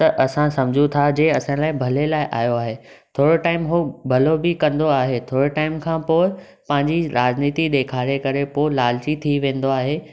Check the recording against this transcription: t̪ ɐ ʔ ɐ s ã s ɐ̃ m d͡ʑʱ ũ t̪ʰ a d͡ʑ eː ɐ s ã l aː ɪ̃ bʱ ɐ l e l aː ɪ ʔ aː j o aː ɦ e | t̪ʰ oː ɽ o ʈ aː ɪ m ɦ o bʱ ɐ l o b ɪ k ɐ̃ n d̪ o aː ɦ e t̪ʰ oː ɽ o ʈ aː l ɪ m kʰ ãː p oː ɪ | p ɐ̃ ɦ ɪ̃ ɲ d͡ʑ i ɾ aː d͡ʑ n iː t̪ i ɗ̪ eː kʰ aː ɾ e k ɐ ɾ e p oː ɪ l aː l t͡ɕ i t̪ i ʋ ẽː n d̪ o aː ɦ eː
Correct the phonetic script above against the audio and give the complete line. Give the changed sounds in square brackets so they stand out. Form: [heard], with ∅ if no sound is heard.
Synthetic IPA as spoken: t̪ ɐ ʔ ɐ s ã s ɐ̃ m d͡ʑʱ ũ t̪ʰ a d͡ʑ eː ɐ s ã l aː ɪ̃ bʱ ɐ l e l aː ɪ ʔ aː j o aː ɦ e | t̪ʰ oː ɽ o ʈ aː ɪ m ɦ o bʱ ɐ l o b ɪ k ɐ̃ n d̪ o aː ɦ e t̪ʰ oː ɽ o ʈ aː [∅] ɪ m kʰ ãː p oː ɪ | p ɐ̃ ɦ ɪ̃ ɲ d͡ʑ i ɾ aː d͡ʑ n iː t̪ i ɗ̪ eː kʰ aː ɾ e k ɐ ɾ e p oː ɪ l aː l t͡ɕ i [t̪ʰ] i ʋ ẽː n d̪ o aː ɦ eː